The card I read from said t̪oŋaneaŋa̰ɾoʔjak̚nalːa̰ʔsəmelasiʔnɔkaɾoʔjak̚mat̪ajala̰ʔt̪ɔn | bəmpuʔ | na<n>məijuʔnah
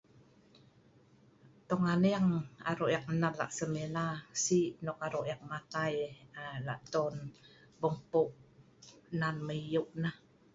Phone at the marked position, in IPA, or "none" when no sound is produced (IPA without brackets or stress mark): n